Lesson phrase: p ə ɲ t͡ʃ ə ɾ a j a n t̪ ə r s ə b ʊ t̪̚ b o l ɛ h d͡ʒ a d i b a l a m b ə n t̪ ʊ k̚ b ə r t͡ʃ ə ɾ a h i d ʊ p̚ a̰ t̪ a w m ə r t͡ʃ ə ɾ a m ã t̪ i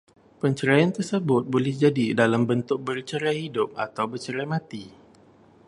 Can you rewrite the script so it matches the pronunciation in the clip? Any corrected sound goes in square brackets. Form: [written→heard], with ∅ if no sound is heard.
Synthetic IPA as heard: p ə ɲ t͡ʃ ə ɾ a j a n t̪ ə r s ə b ʊ t̪̚ b o l ɛ h d͡ʒ a d i [b→d] a l a m b ə n t̪ ʊ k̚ b ə r t͡ʃ ə ɾ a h i d ʊ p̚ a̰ t̪ a w [m→b] ə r t͡ʃ ə ɾ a m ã t̪ i